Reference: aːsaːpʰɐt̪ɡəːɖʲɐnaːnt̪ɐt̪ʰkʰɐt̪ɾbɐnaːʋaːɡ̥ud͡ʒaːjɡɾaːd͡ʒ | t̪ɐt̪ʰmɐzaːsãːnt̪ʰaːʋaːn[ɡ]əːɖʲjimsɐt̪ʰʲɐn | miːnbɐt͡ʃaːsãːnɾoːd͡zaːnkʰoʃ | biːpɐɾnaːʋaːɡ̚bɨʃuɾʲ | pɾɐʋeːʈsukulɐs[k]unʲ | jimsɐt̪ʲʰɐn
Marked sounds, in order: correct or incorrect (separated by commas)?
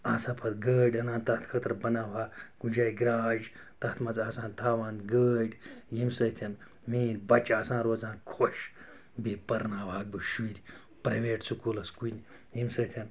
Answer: correct, correct